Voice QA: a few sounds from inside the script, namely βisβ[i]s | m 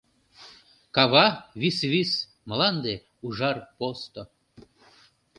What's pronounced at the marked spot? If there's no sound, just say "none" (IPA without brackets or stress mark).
i